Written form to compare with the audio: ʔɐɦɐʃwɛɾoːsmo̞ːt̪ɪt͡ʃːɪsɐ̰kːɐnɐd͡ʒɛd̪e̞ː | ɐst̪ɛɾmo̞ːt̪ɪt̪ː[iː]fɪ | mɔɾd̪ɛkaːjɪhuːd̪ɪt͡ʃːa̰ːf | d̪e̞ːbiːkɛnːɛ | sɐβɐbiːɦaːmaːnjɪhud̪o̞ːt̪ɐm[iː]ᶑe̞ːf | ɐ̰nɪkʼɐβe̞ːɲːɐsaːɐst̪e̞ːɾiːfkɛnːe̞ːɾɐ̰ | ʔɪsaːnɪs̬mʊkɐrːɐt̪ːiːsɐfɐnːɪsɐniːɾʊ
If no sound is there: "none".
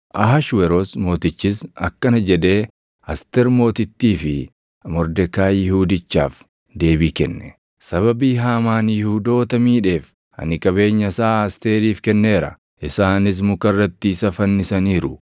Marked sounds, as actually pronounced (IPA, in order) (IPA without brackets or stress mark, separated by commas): iː, iː